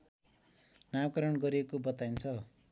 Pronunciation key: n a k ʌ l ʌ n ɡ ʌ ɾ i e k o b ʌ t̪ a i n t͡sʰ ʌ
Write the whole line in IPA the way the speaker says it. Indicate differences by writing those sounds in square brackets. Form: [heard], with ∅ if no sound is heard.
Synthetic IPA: n a k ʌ [ɾ] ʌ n ɡ ʌ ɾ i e k o b ʌ t̪ a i n t͡sʰ ʌ